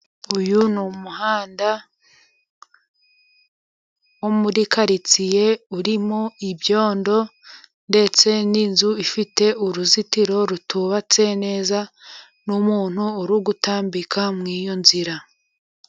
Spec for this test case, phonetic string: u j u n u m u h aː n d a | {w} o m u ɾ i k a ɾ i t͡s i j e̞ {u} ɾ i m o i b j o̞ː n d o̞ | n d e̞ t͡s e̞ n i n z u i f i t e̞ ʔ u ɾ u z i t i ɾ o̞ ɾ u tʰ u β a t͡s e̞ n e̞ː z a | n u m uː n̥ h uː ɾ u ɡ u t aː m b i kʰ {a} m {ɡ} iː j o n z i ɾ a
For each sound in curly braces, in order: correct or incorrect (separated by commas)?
correct, correct, correct, incorrect